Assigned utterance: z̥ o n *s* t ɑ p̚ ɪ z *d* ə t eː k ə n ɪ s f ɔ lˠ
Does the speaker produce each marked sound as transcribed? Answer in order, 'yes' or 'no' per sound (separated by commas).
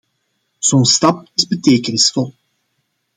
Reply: yes, no